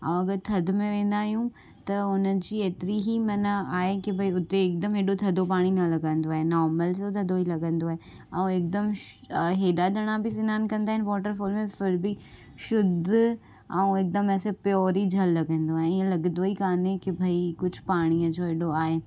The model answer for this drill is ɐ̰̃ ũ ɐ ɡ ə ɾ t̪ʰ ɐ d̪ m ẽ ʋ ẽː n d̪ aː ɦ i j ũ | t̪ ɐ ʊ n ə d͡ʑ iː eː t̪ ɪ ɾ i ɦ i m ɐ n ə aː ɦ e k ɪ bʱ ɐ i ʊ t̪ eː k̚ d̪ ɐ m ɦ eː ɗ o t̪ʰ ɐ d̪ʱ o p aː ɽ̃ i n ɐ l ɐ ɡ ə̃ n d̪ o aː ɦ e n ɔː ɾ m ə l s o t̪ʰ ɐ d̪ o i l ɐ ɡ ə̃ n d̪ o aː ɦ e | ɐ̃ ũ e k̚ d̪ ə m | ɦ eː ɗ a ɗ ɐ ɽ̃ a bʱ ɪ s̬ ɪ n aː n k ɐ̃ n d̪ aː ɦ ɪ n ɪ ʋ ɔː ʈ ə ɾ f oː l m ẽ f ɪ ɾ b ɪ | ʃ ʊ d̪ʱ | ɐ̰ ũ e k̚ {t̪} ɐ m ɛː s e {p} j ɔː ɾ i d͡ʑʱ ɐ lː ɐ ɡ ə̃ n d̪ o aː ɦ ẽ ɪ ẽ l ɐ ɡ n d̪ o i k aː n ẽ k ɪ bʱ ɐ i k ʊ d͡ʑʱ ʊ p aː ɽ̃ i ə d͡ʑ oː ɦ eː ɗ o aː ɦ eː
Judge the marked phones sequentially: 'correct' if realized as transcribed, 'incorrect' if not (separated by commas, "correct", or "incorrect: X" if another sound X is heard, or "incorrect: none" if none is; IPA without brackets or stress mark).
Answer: incorrect: d̪, correct